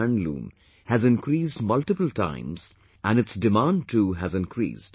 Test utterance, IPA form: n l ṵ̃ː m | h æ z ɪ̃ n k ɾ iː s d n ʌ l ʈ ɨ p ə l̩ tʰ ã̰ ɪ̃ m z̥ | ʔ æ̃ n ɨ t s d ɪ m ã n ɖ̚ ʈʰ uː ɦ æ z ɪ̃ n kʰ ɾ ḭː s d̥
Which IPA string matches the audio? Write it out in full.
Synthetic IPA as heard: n l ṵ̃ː m | h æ z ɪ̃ n k ɾ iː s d m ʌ l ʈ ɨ p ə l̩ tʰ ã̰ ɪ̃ m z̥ | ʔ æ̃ n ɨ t s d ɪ m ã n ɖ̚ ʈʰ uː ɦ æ z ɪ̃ n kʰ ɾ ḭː s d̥